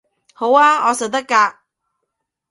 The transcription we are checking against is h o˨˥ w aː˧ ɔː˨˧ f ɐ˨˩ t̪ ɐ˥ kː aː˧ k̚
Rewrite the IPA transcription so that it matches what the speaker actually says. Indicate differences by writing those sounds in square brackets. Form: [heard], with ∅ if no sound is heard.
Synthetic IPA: h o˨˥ w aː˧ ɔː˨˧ [s] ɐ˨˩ t̪ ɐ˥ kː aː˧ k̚